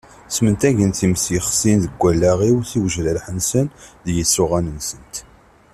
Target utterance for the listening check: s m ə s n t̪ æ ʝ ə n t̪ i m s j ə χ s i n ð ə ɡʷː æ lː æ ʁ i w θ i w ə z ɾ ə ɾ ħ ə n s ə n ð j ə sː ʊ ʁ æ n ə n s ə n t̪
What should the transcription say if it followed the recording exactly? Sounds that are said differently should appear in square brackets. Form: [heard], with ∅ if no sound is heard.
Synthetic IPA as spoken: s m ə [∅] n t̪ æ ʝ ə n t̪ i m s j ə χ s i n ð ə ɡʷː æ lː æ ʁ i w θ i w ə [ʒ] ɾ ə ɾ ħ ə n s ə n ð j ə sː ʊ ʁ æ n ə n s ə n t̪